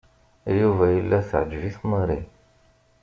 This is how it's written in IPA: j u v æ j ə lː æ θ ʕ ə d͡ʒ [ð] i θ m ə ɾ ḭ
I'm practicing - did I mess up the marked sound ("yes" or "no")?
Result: yes